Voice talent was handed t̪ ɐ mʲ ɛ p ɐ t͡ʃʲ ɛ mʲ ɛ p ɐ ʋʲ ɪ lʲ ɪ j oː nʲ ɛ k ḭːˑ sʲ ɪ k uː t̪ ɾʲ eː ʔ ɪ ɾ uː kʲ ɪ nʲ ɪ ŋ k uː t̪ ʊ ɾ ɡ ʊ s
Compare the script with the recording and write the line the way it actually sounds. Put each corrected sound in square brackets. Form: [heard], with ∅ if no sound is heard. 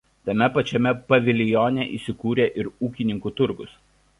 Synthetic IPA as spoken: t̪ ɐ mʲ ɛ p ɐ t͡ʃʲ ɛ mʲ ɛ p ɐ ʋʲ ɪ lʲ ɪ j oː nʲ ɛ [ʔ] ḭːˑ sʲ ɪ k uː [∅] ɾʲ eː ʔ ɪ ɾ uː kʲ ɪ nʲ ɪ ŋ k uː t̪ ʊ ɾ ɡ ʊ s

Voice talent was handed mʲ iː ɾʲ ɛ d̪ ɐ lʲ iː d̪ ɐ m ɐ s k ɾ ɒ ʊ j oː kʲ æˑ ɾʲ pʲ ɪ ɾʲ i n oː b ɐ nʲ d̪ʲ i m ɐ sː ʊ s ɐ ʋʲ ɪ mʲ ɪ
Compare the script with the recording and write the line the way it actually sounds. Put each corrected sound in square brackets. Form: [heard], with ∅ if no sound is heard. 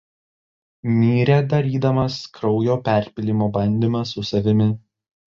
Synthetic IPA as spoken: mʲ iː ɾʲ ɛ d̪ ɐ [ɾʲ] iː d̪ ɐ m ɐ s k ɾ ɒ ʊ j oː [pʲ] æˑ ɾʲ pʲ ɪ [lʲ] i [m] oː b ɐ nʲ d̪ʲ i m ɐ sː ʊ s ɐ ʋʲ ɪ mʲ ɪ

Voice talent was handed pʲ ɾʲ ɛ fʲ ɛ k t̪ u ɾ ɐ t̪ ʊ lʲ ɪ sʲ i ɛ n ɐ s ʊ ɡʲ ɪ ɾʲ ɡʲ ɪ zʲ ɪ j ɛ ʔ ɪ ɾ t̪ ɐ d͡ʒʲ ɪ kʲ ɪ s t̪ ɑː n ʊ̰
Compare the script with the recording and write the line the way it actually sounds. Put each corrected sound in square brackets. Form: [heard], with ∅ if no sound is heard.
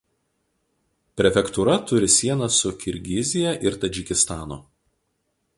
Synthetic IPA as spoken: pʲ ɾʲ ɛ fʲ ɛ k t̪ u ɾ ɐ t̪ ʊ [ɾʲ] ɪ sʲ i ɛ n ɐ s ʊ [kʲ] ɪ ɾʲ ɡʲ ɪ zʲ ɪ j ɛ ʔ ɪ ɾ t̪ ɐ d͡ʒʲ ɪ kʲ ɪ s t̪ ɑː n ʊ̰

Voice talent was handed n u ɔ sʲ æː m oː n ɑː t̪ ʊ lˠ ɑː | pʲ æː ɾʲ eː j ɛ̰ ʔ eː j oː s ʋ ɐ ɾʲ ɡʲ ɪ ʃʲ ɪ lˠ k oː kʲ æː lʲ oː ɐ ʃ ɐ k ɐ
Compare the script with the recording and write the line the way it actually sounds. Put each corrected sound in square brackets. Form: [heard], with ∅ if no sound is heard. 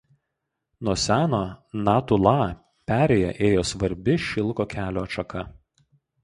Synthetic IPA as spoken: n u ɔ sʲ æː [n] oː n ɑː t̪ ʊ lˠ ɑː | pʲ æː ɾʲ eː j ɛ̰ ʔ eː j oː s ʋ ɐ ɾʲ [bʲ] ɪ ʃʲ ɪ lˠ k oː kʲ æː lʲ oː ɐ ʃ ɐ k ɐ

